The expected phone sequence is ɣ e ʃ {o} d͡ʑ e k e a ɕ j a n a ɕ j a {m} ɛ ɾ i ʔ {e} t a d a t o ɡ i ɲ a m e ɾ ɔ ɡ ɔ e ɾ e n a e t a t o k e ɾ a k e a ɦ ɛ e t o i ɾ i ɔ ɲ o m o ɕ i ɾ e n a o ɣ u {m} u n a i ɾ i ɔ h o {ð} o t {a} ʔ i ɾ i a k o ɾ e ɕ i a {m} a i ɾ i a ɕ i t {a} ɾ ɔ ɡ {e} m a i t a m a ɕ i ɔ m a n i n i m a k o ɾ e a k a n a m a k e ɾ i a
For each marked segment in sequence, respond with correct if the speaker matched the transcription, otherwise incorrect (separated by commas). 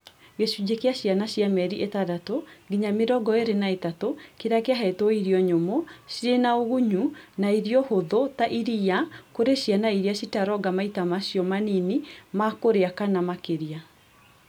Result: incorrect, correct, correct, incorrect, correct, correct, incorrect, correct, incorrect